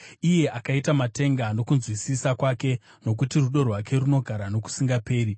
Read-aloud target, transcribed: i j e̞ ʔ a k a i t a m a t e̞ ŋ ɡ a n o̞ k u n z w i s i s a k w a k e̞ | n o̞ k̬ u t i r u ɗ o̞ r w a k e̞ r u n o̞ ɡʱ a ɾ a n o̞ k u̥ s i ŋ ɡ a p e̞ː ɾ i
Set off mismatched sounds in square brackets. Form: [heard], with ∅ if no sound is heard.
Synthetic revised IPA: i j e̞ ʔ a k a i t a m a t e̞ ŋ ɡ a n o̞ k u n z w i s i s a k w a k e̞ | n o̞ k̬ u t i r u ɗ o̞ r w a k e̞ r u n o̞ ɡʱ a ɾ a n o̞ k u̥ s i ŋ ɡ a p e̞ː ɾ i